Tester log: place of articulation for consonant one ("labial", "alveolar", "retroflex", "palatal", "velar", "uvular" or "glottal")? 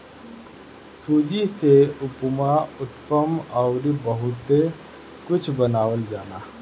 alveolar